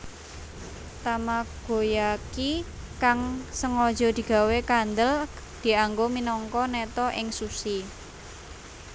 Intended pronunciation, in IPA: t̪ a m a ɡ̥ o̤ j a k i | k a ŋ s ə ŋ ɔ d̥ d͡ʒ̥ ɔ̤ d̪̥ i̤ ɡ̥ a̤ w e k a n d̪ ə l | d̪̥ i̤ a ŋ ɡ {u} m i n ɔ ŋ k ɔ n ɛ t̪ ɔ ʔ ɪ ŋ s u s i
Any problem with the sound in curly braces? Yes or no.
yes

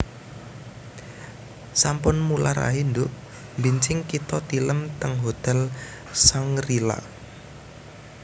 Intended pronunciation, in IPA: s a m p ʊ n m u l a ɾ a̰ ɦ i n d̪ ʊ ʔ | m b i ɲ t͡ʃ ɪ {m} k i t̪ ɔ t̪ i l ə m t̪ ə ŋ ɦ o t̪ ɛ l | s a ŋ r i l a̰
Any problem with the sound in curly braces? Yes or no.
yes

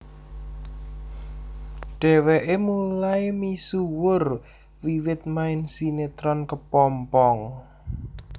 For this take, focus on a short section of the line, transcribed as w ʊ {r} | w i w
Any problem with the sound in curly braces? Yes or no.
no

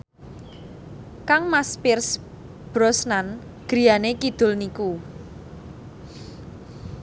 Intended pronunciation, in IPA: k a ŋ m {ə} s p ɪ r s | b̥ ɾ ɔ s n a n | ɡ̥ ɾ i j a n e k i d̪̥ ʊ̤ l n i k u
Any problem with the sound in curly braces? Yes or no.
yes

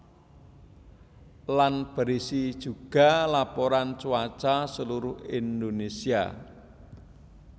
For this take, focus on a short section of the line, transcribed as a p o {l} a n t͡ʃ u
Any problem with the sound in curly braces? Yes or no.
yes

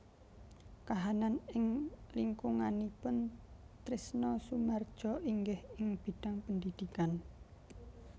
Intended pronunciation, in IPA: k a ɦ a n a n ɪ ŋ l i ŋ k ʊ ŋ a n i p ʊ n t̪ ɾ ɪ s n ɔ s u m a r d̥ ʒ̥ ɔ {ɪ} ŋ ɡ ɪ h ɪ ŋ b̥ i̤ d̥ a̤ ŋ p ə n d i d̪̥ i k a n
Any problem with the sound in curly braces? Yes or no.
yes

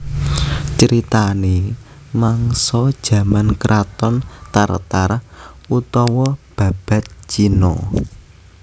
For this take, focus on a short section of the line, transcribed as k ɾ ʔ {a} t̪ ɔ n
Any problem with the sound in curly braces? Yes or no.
no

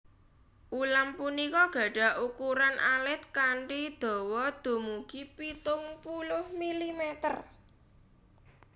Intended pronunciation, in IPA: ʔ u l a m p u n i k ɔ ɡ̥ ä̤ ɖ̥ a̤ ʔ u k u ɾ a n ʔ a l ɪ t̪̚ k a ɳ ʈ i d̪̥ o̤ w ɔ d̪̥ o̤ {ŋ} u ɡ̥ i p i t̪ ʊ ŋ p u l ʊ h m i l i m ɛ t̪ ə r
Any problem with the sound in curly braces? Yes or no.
yes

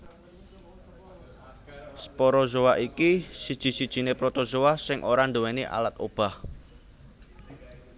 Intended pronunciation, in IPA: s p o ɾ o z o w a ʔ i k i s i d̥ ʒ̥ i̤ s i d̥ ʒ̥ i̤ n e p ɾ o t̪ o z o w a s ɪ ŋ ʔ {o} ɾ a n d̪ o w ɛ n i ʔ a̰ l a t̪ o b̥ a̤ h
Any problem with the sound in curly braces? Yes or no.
no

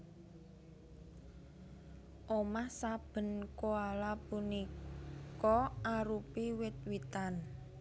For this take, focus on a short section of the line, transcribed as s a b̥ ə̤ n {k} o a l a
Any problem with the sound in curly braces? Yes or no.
no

